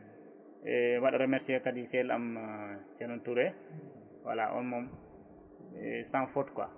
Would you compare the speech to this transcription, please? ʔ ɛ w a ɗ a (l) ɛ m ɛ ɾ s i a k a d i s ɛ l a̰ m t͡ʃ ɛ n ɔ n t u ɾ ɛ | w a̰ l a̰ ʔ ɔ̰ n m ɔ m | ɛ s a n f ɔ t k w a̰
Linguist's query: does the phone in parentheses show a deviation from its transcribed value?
yes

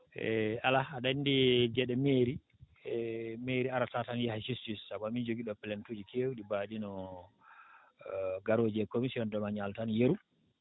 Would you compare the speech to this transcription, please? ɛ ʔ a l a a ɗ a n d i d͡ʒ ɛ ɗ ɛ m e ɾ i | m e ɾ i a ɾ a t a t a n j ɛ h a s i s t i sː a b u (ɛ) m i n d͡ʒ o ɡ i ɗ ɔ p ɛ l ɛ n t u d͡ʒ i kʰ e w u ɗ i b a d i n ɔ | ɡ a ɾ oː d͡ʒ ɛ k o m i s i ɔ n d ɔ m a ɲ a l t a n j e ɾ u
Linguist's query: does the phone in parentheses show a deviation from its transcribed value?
yes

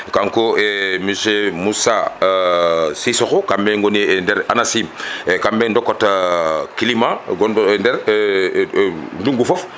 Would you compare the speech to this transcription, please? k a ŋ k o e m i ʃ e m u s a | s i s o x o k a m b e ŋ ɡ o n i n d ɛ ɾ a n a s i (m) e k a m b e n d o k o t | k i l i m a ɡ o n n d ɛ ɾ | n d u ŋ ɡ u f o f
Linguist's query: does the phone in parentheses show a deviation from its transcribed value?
no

